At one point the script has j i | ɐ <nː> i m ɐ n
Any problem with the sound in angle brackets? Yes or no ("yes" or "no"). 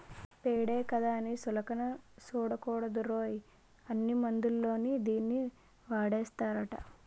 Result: no